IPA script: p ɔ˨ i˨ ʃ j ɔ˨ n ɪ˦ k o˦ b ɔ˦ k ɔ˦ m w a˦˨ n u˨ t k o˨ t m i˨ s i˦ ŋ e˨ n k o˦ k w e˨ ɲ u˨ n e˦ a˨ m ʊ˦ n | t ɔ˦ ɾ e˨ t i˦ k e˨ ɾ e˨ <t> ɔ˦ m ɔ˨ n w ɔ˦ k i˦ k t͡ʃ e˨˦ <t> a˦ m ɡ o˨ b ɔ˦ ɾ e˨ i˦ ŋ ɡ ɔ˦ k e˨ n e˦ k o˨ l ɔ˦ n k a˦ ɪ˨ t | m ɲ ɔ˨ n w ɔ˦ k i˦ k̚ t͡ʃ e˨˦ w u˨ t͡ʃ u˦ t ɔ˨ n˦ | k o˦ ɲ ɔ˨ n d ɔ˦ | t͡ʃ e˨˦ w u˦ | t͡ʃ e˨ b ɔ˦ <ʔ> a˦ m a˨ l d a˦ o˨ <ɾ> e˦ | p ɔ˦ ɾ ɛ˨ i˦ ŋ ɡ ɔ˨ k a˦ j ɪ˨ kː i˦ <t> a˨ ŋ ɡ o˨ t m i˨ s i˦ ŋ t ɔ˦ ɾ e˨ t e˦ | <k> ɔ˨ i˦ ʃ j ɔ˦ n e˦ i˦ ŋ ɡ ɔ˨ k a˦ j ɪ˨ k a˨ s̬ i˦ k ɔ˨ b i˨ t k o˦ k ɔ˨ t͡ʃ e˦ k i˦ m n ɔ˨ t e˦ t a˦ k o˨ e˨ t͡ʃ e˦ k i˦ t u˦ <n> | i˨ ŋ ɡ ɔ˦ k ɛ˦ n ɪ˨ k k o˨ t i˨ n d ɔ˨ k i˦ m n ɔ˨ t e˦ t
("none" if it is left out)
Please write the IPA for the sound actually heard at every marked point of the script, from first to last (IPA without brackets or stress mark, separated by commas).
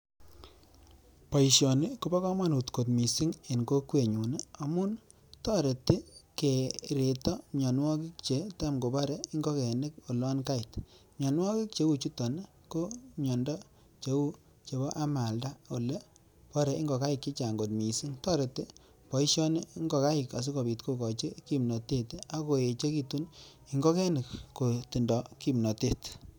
t, t, ʔ, l, t͡ʃ, p, n